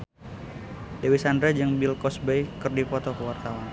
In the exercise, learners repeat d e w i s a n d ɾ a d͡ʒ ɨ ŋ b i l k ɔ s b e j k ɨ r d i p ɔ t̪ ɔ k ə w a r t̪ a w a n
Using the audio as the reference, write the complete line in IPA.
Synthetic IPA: d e w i s a n d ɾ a d͡ʒ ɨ ŋ b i l k ɔ s b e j k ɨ r d i p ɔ t̪ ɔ k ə w a r t̪ a w a n

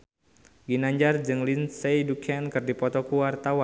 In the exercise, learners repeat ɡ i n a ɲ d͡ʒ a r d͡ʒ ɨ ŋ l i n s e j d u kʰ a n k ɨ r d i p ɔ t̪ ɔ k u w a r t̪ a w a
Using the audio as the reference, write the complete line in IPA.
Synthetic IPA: ɡ i n a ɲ d͡ʒ a r d͡ʒ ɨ ŋ l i n s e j d u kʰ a n k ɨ r d i p ɔ t̪ ɔ k u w a r t̪ a w a

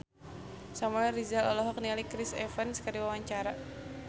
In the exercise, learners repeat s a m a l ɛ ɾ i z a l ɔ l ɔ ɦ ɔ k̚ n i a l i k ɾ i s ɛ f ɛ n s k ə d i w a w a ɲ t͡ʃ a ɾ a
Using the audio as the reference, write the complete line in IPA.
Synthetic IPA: s a m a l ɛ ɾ i z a l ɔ l ɔ ɦ ɔ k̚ n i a l i k ɾ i s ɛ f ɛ n s k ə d i w a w a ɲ t͡ʃ a ɾ a

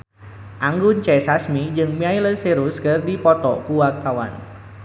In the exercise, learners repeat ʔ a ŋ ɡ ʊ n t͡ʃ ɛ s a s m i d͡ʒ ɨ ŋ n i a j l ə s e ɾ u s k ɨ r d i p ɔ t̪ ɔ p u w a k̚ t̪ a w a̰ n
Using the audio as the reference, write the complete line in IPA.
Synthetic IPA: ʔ a ŋ ɡ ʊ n t͡ʃ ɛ s a s m i d͡ʒ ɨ ŋ m i a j l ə s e ɾ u s k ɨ r d i p ɔ t̪ ɔ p u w a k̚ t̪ a w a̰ n

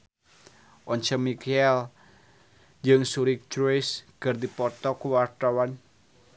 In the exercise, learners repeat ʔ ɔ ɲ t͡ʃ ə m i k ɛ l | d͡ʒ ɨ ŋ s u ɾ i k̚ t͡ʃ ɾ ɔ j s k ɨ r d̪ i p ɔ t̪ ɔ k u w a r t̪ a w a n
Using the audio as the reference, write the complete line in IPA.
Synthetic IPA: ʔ ɔ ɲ t͡ʃ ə m i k ɛ l | d͡ʒ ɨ ŋ s u ɾ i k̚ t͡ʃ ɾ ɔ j s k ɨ r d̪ i p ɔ t̪ ɔ k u w a r t̪ a w a n

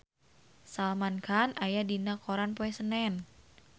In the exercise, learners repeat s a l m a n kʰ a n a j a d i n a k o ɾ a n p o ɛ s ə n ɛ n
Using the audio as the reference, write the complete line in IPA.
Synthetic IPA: s a l m a n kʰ a n a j a d i n a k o ɾ a n p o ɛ s ə n ɛ n

